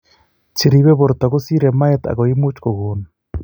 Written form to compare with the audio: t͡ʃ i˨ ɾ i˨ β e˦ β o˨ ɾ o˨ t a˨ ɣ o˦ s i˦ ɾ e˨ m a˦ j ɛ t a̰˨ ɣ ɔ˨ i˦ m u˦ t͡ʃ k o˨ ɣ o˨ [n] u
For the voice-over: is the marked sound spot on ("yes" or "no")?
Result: yes